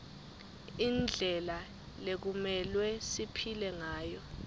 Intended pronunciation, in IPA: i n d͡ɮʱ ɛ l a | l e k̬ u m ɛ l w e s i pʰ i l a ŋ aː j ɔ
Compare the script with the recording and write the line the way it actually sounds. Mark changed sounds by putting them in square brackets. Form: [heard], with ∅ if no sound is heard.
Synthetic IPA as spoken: i n d͡ɮʱ ɛ l a | l e k̬ u m ɛ l w [ɛ] s i pʰ i l [ɛ] ŋ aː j ɔ